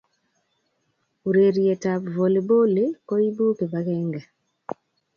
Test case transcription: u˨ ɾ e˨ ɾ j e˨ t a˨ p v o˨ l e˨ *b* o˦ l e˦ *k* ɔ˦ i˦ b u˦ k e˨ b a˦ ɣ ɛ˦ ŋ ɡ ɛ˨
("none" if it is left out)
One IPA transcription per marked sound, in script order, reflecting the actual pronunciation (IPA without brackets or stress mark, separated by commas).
b, k